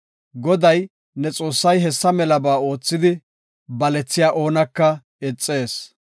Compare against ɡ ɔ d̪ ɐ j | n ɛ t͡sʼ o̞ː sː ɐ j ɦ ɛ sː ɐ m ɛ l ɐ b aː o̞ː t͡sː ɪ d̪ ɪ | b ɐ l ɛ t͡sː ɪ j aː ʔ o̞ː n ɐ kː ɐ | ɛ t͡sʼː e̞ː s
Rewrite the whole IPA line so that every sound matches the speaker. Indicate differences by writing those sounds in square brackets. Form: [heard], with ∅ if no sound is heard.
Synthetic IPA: ɡ ɔ d̪ ɐ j | n ɛ t͡sʼ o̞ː sː ɐ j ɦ ɛ sː ɐ m ɛ l ɐ b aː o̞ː t͡sː ɪ d̪ ɪ | b ɐ l ɛ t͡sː ɪ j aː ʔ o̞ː n ɐ kː ɐ | ɛ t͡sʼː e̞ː s